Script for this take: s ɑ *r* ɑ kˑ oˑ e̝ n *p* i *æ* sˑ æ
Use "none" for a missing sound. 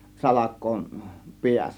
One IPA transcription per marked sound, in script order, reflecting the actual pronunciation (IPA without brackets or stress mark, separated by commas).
l, p, æ